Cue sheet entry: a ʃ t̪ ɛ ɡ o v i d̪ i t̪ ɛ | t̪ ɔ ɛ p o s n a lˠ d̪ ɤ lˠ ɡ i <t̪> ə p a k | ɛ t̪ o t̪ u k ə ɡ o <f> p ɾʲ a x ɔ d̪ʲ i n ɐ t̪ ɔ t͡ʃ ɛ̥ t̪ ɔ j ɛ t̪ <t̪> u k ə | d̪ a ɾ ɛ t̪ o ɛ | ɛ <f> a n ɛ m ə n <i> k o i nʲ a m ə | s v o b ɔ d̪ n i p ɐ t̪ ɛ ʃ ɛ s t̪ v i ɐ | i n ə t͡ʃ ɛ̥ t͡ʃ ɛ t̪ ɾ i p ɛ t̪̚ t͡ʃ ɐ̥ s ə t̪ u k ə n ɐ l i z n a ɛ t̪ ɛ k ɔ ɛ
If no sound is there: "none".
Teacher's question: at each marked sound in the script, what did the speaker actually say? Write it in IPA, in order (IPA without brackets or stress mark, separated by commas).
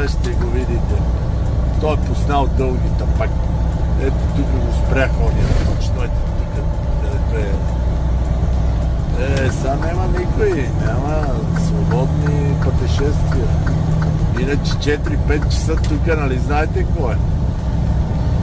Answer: t̪, s, t̪, s, i